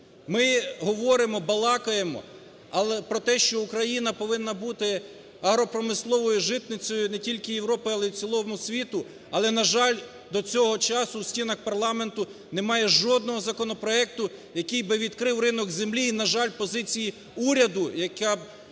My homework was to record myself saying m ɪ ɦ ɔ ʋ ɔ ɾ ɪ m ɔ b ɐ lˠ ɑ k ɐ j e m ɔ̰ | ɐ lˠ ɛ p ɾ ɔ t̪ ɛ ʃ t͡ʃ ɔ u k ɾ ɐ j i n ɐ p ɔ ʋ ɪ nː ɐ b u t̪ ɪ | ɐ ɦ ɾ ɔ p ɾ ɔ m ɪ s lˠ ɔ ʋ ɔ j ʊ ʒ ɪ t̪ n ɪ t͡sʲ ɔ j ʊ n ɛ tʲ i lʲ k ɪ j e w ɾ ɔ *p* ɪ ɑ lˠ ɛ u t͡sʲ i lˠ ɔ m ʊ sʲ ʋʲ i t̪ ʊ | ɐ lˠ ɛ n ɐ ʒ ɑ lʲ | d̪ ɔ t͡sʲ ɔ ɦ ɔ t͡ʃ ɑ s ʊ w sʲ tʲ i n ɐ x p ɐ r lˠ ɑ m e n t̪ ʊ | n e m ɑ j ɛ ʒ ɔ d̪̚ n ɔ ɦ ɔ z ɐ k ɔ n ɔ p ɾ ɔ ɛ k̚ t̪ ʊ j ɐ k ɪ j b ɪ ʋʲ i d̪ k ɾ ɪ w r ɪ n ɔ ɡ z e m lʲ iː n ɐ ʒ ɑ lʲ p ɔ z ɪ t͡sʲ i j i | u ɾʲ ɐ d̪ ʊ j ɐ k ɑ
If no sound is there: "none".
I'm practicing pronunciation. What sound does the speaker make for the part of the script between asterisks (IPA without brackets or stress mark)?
p